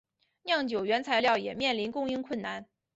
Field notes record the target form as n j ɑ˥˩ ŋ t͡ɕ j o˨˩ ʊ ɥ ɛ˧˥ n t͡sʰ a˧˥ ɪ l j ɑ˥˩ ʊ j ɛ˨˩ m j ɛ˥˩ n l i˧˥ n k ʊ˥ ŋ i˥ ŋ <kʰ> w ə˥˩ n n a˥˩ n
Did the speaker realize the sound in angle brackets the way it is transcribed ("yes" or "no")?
yes